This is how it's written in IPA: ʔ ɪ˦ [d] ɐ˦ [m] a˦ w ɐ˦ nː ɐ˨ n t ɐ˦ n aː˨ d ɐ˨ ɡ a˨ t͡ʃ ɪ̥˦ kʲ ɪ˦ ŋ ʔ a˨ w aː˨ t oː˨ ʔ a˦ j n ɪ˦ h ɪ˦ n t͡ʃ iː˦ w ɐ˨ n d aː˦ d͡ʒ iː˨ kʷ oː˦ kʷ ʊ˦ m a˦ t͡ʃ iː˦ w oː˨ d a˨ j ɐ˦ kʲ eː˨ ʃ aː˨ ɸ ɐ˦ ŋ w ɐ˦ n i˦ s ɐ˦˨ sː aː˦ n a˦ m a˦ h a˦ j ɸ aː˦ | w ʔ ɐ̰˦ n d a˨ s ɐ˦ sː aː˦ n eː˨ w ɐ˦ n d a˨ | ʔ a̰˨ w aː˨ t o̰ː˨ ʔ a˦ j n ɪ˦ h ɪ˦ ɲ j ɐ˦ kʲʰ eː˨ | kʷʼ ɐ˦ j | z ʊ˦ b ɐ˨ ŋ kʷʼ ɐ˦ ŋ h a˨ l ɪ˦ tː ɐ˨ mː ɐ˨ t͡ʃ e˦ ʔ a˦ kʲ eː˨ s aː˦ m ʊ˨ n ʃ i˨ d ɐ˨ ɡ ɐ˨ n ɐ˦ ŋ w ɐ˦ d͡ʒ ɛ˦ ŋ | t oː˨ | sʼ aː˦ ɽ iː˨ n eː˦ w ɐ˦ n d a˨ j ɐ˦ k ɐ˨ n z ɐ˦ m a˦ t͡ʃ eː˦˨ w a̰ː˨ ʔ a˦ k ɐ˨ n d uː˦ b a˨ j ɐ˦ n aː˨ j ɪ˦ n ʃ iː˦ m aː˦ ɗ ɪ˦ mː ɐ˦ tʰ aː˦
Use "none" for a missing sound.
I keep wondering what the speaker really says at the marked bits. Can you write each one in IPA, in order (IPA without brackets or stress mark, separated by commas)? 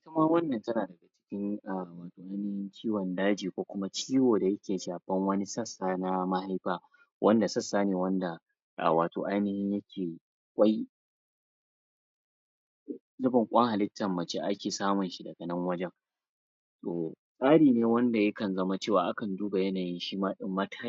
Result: t, m